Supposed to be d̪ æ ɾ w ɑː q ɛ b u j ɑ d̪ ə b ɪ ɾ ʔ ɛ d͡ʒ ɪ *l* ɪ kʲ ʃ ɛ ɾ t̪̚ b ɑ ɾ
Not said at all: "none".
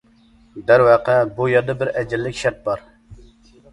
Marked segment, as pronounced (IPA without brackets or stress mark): lː